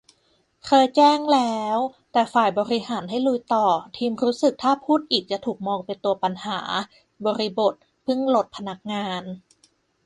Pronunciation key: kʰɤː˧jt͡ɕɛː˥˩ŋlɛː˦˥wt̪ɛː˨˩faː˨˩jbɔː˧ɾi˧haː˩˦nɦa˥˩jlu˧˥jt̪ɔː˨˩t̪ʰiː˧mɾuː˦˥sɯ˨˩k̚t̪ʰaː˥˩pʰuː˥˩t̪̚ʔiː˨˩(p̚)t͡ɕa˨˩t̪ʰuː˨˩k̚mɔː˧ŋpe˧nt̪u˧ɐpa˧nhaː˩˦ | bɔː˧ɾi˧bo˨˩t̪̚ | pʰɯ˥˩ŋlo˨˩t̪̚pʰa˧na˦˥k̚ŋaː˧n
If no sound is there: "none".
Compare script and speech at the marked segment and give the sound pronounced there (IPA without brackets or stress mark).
k̚